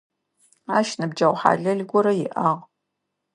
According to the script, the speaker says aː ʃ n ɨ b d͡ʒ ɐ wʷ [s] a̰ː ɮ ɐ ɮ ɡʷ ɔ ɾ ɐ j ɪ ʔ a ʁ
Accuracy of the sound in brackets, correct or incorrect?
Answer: incorrect